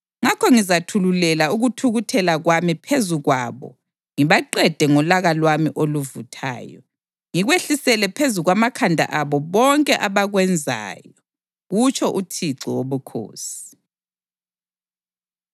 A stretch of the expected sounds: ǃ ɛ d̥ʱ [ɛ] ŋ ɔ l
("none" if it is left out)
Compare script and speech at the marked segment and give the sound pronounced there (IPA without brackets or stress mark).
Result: ɛ